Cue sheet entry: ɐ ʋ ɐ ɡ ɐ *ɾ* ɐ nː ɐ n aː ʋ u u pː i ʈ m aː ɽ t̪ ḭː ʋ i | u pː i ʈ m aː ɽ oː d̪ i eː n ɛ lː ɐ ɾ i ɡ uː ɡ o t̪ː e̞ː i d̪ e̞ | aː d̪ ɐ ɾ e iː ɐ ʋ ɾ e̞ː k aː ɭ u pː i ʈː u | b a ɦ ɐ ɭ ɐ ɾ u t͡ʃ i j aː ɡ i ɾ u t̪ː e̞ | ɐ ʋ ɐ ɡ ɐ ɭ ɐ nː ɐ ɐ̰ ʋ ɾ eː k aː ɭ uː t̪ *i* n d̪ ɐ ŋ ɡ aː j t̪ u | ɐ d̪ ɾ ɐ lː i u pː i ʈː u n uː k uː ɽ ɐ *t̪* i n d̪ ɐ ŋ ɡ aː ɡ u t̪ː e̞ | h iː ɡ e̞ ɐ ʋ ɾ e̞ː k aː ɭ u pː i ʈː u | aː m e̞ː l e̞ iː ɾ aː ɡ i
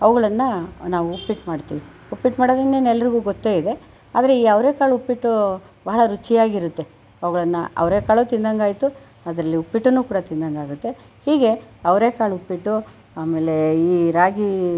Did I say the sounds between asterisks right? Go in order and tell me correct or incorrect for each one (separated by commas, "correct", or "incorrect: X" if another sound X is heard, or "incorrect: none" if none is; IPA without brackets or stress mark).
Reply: incorrect: ɭ, correct, correct